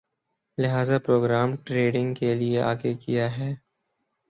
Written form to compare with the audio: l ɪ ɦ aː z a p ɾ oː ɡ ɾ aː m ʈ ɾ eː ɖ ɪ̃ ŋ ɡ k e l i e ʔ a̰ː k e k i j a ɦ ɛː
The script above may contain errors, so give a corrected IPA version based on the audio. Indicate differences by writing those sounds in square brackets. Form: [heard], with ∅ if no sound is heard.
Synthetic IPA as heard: l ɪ ɦ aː z a p ɾ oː ɡ ɾ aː m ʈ ɾ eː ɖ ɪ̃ ŋ ɡ k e l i e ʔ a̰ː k e k i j a ɦ ɛː